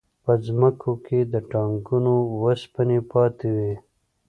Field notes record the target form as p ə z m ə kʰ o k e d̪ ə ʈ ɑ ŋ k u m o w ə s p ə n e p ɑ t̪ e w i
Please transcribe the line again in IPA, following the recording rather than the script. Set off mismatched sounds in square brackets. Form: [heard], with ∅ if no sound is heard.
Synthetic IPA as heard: p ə z m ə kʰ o k e d̪ ə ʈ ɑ ŋ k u [n] o w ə s p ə n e p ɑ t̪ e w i